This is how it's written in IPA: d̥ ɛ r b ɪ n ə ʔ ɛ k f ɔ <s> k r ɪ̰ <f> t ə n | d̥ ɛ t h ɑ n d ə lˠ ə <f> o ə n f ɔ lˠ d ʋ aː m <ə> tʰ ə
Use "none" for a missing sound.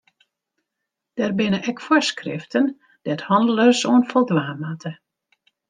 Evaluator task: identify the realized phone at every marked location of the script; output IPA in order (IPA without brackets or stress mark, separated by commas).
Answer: s, f, s, a